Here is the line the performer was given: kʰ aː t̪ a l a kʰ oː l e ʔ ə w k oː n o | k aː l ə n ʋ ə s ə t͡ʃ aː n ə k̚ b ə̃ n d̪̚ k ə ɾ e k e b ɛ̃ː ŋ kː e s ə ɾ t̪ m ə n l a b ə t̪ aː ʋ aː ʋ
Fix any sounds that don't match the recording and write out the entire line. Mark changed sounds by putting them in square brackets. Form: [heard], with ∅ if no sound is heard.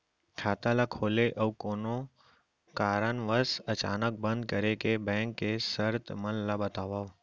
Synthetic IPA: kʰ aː t̪ a l a kʰ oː l e ʔ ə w k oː n o | k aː [ɾ] ə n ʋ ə s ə t͡ʃ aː n ə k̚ b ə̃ n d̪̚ k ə ɾ e k e b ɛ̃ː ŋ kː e s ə ɾ t̪ m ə n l a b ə t̪ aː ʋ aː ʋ